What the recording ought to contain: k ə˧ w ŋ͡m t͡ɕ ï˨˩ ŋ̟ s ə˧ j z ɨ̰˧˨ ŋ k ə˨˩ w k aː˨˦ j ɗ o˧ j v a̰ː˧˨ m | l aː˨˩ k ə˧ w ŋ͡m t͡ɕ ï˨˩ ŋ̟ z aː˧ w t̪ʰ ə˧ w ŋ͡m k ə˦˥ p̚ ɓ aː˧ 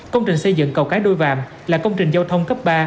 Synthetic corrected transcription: k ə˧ w ŋ͡m t͡ɕ ï˨˩ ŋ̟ s ə˧ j z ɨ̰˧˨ ŋ k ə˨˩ w k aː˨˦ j ɗ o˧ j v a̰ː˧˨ m | l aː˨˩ k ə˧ w ŋ͡m t͡ɕ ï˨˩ ŋ̟ z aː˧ w t̪ʰ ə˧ w ŋ͡m k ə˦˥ p̚ ɓ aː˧